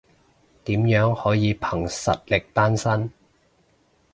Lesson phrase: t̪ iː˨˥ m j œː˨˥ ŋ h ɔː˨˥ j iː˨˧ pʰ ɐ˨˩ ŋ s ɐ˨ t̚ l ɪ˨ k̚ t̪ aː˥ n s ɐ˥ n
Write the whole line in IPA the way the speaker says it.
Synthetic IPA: t̪ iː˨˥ m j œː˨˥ ŋ h ɔː˨˥ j iː˨˧ pʰ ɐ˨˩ ŋ s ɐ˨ t̚ l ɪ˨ k̚ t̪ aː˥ n s ɐ˥ n